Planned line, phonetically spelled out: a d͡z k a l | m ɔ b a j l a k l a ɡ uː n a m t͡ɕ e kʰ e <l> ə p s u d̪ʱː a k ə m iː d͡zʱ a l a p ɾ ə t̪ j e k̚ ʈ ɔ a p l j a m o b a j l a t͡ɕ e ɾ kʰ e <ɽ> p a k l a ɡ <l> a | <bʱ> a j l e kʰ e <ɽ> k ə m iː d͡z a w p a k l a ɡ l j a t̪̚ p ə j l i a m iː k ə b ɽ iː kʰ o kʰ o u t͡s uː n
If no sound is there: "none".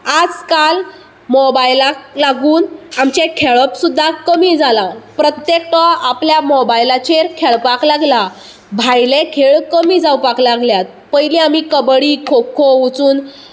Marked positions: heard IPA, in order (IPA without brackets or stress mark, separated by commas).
ɭ, ɭ, l, bʱ, ɭ